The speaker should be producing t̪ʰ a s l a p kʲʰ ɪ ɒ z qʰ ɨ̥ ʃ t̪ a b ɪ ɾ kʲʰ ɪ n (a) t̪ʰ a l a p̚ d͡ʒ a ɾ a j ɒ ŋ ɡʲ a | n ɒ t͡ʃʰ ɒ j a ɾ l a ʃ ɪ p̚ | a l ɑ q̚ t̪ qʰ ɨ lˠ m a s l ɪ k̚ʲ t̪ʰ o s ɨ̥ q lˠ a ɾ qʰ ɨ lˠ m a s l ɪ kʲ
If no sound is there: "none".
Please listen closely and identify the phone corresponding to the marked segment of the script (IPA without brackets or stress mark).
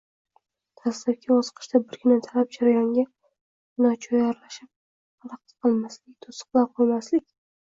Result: a